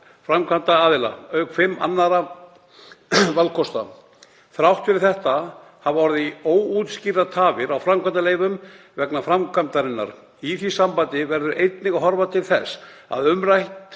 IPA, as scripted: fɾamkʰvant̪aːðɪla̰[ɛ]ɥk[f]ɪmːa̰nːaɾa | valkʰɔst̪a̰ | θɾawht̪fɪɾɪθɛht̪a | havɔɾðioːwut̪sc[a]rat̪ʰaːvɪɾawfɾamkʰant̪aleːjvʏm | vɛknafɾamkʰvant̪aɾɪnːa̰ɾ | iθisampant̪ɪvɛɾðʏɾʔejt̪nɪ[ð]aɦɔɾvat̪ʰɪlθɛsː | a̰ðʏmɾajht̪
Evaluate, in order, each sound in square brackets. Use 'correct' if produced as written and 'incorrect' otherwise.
incorrect, correct, incorrect, incorrect

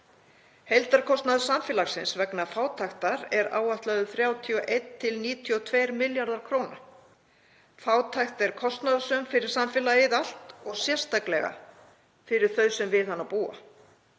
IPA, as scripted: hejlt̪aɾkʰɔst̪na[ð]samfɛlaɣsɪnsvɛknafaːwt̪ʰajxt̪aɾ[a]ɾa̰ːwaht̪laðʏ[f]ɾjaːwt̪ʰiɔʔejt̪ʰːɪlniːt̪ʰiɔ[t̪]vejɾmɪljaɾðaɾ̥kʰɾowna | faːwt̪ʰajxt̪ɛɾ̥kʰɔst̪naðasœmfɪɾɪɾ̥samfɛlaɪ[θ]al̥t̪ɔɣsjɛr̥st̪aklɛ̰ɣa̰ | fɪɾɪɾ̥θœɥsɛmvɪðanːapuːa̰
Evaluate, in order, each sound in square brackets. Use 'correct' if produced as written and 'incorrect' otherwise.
correct, incorrect, incorrect, incorrect, incorrect

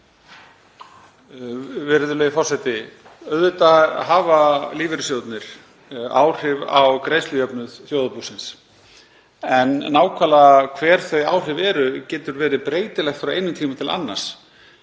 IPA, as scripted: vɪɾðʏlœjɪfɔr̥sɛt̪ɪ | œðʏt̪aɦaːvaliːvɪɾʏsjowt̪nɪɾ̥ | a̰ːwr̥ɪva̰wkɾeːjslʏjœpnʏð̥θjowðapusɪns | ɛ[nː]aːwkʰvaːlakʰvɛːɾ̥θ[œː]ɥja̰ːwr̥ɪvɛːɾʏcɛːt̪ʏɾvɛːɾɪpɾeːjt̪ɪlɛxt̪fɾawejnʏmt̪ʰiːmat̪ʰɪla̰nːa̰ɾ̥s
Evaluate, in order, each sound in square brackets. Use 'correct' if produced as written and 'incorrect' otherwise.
correct, incorrect

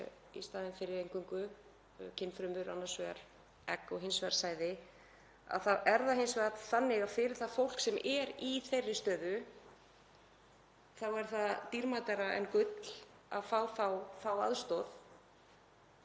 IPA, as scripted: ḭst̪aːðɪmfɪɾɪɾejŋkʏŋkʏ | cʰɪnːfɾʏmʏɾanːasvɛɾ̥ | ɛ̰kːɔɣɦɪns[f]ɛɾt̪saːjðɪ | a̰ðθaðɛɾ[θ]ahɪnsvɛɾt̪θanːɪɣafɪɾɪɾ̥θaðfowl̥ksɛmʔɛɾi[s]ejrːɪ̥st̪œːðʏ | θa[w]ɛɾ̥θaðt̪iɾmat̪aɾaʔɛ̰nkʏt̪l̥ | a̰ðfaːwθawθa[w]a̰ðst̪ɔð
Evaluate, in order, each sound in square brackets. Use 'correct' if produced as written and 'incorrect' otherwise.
incorrect, incorrect, incorrect, correct, correct

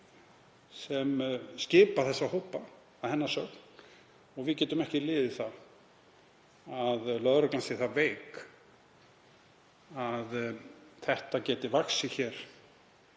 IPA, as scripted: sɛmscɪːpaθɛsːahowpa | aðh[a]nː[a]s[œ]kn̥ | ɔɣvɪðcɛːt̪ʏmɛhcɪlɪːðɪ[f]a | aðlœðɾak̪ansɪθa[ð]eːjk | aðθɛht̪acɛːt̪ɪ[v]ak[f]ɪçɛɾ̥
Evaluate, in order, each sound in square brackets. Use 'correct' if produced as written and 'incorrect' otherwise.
incorrect, correct, correct, incorrect, incorrect, correct, incorrect

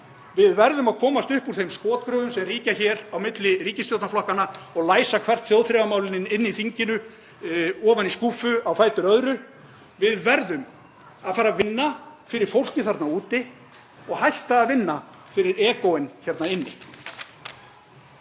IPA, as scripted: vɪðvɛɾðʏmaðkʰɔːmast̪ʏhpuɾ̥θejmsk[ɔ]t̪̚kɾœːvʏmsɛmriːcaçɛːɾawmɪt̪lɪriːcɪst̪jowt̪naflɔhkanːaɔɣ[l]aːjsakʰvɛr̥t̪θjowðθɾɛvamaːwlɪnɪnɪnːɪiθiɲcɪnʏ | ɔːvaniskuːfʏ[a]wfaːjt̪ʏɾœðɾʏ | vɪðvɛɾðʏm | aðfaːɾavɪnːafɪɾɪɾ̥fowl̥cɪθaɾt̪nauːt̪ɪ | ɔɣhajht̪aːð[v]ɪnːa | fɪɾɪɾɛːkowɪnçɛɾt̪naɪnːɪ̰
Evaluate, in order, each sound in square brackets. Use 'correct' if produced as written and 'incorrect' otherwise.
incorrect, correct, correct, correct

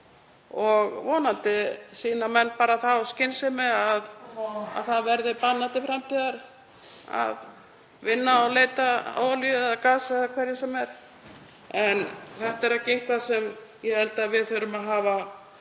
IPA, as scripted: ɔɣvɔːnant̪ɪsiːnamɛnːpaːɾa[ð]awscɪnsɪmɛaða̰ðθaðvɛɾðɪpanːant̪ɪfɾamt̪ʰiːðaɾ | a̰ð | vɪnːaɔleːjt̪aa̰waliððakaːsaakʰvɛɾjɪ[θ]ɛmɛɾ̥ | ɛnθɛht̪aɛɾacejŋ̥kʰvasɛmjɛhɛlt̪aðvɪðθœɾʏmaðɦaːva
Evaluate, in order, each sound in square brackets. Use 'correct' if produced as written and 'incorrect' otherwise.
incorrect, incorrect

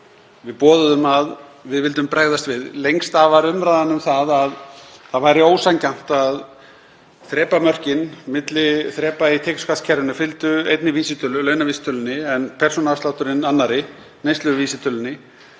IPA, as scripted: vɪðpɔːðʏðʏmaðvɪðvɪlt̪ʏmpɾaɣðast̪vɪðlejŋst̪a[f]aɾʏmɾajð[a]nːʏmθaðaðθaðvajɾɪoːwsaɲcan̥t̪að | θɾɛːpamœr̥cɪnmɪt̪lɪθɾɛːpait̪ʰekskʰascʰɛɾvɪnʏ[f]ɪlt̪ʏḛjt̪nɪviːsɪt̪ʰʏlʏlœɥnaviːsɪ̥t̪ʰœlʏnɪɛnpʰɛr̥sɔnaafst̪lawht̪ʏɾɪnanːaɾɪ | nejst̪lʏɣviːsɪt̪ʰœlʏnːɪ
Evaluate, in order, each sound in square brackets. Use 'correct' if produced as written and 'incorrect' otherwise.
incorrect, correct, correct

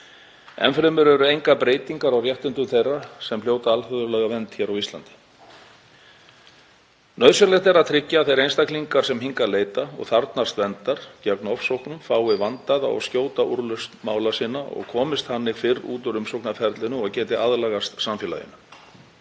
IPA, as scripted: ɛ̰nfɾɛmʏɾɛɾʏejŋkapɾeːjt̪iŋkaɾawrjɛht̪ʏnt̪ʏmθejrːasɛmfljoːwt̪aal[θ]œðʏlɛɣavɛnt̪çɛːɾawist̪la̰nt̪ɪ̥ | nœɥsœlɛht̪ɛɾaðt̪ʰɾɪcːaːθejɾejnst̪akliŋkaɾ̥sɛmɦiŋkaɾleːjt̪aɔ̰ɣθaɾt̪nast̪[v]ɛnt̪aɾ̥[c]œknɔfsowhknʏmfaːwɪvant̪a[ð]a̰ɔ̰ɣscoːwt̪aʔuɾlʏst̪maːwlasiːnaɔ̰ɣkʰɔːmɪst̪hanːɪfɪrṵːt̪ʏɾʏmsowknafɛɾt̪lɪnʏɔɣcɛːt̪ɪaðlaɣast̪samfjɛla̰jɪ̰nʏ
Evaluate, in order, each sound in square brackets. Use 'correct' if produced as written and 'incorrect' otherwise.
incorrect, correct, correct, correct

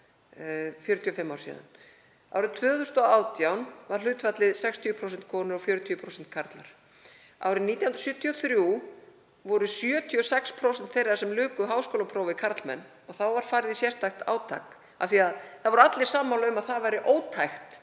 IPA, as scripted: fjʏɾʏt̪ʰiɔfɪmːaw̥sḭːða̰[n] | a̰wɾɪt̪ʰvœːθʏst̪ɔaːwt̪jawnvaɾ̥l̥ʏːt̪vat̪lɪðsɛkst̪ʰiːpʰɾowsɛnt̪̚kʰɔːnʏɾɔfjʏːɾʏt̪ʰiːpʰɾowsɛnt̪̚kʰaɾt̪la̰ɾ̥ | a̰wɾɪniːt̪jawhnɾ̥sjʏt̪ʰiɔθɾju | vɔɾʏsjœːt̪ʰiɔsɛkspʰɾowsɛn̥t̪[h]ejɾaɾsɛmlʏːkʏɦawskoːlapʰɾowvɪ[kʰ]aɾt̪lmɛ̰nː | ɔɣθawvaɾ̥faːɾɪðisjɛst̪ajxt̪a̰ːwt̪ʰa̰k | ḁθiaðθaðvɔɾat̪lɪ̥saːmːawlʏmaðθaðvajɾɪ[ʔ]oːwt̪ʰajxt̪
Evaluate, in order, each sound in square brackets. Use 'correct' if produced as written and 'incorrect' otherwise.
correct, incorrect, correct, correct

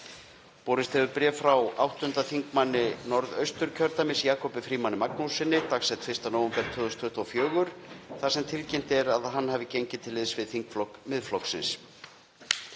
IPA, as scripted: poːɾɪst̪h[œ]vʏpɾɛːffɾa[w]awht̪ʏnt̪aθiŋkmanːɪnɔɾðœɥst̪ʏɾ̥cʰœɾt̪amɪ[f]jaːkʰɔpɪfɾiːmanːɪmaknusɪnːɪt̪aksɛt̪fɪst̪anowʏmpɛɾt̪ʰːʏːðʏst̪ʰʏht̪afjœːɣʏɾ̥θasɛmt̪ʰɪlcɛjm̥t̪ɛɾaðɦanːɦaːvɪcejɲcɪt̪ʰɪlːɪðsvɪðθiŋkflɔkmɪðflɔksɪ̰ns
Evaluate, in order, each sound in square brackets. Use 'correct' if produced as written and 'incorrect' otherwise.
incorrect, correct, incorrect

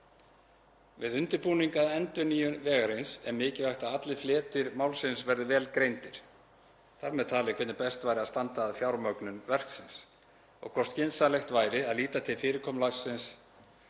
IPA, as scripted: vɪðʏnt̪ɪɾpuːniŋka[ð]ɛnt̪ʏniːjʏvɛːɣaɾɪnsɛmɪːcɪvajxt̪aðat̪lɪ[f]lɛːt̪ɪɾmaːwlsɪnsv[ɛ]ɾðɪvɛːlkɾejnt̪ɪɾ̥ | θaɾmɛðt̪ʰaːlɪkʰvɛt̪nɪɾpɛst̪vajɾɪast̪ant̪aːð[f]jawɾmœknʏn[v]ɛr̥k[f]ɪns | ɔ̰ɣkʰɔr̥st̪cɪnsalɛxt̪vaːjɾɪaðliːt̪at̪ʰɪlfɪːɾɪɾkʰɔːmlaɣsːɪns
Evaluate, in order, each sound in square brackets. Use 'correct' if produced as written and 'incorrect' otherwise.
correct, correct, correct, correct, correct, incorrect

